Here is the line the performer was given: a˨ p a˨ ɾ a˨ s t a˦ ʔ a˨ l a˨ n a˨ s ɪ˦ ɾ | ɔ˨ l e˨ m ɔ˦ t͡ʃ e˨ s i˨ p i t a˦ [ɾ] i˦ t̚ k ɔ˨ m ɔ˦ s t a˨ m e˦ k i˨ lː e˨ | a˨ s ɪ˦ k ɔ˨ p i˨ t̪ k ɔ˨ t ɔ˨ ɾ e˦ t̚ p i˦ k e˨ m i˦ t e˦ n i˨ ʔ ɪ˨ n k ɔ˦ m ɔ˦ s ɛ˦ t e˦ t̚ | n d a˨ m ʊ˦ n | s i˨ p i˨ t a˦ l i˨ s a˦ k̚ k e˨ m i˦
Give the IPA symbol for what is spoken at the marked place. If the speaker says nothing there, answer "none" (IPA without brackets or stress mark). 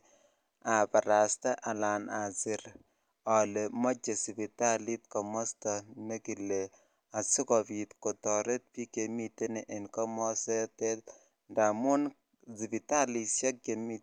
l